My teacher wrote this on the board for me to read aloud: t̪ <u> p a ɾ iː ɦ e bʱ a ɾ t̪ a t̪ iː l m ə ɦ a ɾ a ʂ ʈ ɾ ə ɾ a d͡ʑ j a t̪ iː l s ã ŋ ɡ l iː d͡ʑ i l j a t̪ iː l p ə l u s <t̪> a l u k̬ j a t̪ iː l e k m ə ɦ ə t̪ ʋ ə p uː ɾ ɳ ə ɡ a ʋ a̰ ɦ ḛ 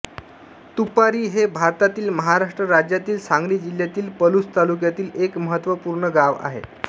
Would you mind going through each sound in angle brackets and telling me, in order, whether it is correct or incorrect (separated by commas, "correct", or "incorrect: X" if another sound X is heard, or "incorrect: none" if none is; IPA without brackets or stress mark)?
correct, correct